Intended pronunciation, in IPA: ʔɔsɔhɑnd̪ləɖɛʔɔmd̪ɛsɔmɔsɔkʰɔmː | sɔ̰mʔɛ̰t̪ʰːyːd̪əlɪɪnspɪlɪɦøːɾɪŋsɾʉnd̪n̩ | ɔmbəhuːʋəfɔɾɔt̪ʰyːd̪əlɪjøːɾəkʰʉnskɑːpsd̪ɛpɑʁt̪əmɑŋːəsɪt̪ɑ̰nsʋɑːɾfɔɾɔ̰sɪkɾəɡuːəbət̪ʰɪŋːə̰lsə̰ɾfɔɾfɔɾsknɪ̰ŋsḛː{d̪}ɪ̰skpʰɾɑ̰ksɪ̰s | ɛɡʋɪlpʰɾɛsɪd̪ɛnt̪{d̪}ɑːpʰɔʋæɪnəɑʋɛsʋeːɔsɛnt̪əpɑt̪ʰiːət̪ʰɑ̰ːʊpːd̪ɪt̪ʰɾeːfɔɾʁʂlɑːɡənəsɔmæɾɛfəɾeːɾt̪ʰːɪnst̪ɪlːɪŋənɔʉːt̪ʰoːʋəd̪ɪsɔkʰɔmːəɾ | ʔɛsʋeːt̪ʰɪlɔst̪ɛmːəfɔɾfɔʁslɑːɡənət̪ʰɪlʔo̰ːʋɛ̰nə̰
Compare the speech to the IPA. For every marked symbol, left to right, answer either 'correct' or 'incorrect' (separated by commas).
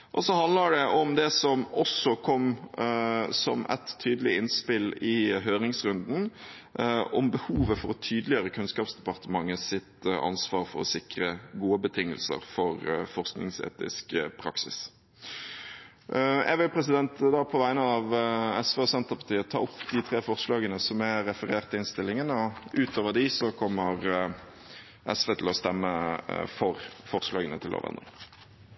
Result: incorrect, correct